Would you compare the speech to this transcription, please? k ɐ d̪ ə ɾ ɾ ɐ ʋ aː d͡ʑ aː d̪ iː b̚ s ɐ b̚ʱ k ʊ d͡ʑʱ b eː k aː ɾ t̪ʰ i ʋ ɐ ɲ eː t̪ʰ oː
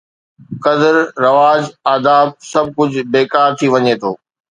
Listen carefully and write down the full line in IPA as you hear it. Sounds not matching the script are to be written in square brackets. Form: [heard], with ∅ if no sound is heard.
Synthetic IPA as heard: k ɐ d̪ ə ɾ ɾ ɐ ʋ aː d͡ʑ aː d̪ [aː] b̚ s ɐ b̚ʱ k ʊ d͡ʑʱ b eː k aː ɾ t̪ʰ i ʋ ɐ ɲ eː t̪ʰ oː

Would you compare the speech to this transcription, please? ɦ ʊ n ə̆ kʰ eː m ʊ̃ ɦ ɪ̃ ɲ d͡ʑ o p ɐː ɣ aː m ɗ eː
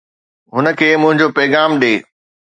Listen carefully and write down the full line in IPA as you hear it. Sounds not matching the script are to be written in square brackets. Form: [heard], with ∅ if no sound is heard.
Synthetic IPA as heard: ɦ ʊ n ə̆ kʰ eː m ʊ̃ ɦ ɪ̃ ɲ d͡ʑ o p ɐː ɣ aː m ɗ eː

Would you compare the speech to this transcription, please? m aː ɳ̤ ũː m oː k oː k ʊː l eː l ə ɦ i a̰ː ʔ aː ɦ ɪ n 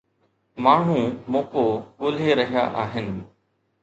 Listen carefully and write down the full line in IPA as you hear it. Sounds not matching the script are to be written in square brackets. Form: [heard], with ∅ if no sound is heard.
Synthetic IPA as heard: m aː ɳ̤ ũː m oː k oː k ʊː l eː [ɾ] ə ɦ [j] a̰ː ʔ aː ɦ ɪ n

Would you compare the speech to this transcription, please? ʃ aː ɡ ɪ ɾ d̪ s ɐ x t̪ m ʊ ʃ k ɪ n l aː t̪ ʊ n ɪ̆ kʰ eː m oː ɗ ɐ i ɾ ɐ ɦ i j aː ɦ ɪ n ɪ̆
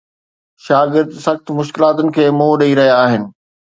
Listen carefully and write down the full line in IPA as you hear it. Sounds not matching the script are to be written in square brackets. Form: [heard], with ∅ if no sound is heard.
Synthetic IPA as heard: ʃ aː ɡ ɪ ɾ d̪ s ɐ x t̪ m ʊ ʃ k ɪ [∅] l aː t̪ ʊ n ɪ̆ kʰ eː m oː ɗ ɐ i ɾ ɐ ɦ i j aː ɦ ɪ n ɪ̆

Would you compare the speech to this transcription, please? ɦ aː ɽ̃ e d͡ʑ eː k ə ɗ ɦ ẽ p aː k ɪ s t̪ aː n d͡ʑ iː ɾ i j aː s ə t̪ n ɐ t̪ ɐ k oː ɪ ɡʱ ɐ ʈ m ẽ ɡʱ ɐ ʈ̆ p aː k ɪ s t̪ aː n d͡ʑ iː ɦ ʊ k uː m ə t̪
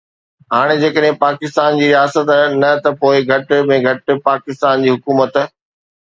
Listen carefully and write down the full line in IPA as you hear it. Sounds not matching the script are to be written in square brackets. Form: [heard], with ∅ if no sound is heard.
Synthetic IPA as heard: ɦ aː ɽ̃ e d͡ʑ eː k ə ɗ ɦ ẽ p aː k ɪ s t̪ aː n d͡ʑ iː ɾ i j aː s ə t̪ n ɐ t̪ ɐ [p] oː ɪ ɡʱ ɐ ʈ m ẽ ɡʱ ɐ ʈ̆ p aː k ɪ s t̪ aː n d͡ʑ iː ɦ ʊ k uː m ə t̪

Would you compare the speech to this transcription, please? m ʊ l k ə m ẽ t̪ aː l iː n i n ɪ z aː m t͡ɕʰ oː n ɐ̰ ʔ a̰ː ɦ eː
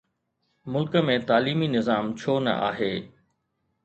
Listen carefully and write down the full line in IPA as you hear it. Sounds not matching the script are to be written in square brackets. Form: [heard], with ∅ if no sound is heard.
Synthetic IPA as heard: m ʊ l k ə m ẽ t̪ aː l iː [m] i n ɪ z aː m t͡ɕʰ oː n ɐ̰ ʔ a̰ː ɦ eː

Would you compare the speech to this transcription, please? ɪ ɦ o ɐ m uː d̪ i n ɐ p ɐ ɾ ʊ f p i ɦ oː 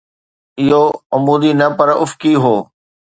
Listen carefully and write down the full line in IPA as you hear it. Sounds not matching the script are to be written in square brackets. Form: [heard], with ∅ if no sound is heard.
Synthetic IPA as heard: ɪ ɦ o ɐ m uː d̪ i n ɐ p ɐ ɾ ʊ f [k] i ɦ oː

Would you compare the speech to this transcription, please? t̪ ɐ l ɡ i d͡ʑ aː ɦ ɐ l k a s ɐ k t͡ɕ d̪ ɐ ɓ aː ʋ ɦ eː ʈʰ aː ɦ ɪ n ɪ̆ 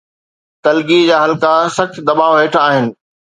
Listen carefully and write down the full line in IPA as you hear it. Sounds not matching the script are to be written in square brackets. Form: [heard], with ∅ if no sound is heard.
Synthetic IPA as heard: t̪ ɐ l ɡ i d͡ʑ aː ɦ ɐ l k a s ɐ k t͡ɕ d̪ ɐ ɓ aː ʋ ɦ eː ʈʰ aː ɦ ɪ n ɪ̆

